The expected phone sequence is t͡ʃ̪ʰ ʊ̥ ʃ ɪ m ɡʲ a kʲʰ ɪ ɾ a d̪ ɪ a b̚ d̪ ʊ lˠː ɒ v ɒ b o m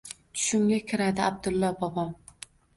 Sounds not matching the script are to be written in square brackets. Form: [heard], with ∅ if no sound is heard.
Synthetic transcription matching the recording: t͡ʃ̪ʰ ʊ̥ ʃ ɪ m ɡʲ a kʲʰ ɪ ɾ a d̪ ɪ a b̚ d̪ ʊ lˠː ɒ [b] ɒ b [ɒ] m